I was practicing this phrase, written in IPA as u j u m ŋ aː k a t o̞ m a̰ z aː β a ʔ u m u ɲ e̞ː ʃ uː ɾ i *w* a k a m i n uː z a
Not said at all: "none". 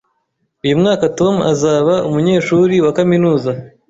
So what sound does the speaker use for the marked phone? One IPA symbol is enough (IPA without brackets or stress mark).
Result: w